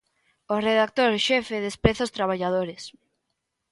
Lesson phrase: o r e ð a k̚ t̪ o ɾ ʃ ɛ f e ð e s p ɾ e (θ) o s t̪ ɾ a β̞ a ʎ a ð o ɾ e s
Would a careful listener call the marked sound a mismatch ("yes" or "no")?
no